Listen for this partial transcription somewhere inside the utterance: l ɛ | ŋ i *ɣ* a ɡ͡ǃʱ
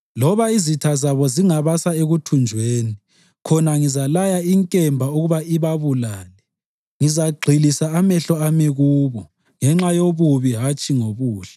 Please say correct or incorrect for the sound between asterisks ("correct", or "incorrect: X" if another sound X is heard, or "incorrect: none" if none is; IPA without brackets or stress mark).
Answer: incorrect: z